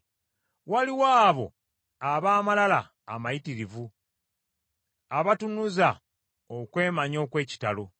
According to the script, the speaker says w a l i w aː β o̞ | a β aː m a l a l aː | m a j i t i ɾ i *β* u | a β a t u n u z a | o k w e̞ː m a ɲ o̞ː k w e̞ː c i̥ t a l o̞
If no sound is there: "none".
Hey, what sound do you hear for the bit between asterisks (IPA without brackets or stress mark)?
v